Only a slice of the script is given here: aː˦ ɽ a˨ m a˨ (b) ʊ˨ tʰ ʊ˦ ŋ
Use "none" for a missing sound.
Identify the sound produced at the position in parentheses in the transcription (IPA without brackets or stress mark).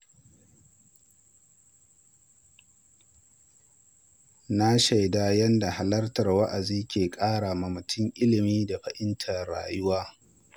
m